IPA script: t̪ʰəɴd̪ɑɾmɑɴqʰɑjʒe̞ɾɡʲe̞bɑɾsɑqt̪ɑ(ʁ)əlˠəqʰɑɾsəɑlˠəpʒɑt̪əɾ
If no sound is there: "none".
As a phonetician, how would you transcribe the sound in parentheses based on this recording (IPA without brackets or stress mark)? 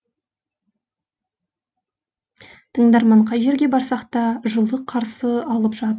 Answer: ʒ